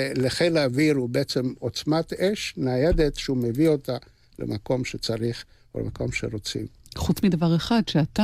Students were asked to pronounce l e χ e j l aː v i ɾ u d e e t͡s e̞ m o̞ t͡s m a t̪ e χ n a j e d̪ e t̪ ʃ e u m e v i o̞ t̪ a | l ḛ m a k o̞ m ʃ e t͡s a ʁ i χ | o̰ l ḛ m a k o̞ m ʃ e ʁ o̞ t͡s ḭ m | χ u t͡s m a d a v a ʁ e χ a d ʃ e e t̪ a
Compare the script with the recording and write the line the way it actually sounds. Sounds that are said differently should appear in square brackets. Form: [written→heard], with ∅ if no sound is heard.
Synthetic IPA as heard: l e χ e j l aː v i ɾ u [d→b] e e t͡s e̞ m o̞ t͡s m a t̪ e [χ→ʃ] n a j e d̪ e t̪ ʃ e u m e v i o̞ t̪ a | l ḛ m a k o̞ m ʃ e t͡s a ʁ i χ | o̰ l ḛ m a k o̞ m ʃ e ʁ o̞ t͡s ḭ m | χ u t͡s m [a→i] d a v a ʁ e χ a d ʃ e [e→a] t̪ a